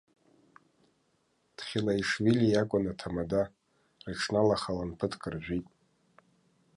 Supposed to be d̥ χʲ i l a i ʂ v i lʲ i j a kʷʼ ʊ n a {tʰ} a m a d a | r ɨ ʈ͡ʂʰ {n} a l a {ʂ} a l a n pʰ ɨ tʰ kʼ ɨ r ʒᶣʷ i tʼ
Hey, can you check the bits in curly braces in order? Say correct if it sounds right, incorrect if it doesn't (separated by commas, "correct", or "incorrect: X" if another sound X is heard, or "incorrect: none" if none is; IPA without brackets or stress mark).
correct, correct, incorrect: χ